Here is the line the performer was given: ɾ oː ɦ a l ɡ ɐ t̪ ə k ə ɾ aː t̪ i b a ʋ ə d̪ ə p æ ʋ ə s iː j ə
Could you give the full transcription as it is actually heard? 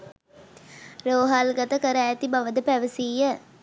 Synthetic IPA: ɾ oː ɦ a l ɡ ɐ t̪ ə k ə ɾ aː t̪ i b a ʋ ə d̪ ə p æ ʋ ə s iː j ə

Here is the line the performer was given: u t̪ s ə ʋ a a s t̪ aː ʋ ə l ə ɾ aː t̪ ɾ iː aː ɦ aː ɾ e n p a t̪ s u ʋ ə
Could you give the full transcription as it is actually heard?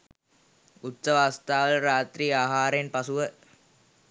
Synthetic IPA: u t̪ s ə ʋ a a s t̪ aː ʋ ə l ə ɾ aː t̪ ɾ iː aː ɦ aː ɾ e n p a s u ʋ ə

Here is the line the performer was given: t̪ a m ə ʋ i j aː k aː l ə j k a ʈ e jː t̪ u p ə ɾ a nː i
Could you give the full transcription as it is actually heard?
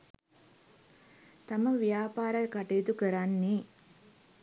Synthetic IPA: t̪ a m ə ʋ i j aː p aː ɾ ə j k a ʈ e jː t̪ u k ə ɾ a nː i

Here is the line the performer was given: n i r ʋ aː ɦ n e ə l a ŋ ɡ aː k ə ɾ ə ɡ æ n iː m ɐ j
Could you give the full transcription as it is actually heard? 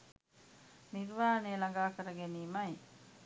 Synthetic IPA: n i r ʋ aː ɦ n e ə l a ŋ ɡ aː k ə ɾ ə ɡ e n iː m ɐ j

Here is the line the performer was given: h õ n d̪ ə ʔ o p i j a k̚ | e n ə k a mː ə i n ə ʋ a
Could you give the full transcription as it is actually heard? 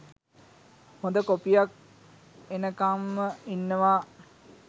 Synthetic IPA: h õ n d̪ ə k o p i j a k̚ | e n ə k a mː ə i nː ə ʋ a

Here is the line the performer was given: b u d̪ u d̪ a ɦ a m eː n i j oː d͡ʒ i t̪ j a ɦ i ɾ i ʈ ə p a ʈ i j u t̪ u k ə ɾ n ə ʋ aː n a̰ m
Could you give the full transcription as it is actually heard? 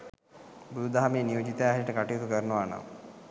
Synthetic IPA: b u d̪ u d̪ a ɦ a m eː n i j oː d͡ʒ i t̪ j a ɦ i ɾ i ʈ ə k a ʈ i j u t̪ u k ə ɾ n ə ʋ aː n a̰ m

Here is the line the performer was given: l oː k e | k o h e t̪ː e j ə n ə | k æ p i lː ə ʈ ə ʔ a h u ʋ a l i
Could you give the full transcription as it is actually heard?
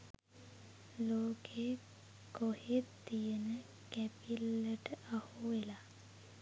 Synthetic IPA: l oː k e | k o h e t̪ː i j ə n ə | k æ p i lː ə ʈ ə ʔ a h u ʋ e l a

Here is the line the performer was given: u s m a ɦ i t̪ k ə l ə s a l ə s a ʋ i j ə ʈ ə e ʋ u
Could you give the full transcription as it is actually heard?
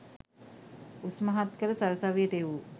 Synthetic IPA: u s m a ɦ a t̪ k ə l ə s a ɾ ə s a ʋ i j ə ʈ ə e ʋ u

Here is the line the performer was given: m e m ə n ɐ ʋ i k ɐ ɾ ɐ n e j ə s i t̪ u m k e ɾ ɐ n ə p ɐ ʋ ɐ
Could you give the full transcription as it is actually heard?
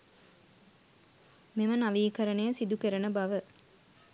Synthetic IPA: m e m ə n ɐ ʋ iː k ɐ ɾ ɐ n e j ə s i d̪ u k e ɾ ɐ n ə b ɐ ʋ ə

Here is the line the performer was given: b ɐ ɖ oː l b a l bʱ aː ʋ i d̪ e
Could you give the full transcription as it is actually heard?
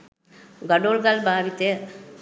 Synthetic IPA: ɡ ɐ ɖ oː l ɡ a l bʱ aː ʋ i t̪ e

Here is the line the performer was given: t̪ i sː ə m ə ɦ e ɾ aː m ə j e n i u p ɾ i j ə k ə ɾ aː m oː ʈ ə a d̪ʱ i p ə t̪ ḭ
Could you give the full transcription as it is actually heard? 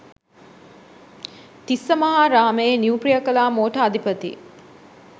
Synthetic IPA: t̪ i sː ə m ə ɦ a ɾ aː m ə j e n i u p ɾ i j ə k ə l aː m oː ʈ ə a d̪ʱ i p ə t̪ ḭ

